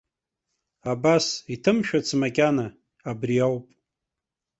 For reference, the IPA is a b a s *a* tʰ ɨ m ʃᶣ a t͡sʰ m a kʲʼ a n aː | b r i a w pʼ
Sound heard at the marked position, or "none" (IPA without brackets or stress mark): i